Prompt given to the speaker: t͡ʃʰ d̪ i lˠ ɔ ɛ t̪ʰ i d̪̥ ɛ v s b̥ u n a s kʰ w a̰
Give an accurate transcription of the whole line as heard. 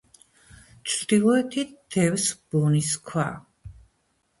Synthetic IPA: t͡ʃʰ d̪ i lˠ ɔ ɛ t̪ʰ i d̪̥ ɛ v s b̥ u n i s kʰ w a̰